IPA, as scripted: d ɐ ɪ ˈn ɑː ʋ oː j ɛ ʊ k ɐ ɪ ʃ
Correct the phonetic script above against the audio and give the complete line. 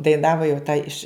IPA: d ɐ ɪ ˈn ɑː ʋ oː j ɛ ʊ t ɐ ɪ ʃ